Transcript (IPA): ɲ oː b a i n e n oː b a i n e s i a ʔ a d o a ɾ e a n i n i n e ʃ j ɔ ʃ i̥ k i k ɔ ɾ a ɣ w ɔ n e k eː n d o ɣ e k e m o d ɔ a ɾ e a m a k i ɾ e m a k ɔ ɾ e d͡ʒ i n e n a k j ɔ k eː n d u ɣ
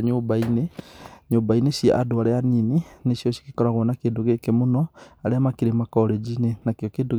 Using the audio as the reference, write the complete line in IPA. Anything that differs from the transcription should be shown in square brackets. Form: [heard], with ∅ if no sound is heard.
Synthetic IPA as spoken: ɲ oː b a i n e [ɲ] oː b a i n e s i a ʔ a d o a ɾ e a n i n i n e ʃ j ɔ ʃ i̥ k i k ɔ ɾ a ɣ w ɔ n [a] k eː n d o ɣ e k e m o [n] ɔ a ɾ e a m a k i ɾ e m a k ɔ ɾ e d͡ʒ i n e n a k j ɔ k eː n d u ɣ